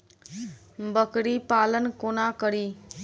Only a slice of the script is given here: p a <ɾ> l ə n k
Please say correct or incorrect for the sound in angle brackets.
incorrect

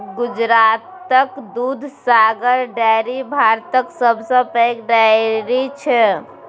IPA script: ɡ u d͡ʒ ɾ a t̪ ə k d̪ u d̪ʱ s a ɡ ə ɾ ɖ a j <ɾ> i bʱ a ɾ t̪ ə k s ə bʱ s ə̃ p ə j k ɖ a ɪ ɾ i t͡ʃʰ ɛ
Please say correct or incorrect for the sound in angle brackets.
correct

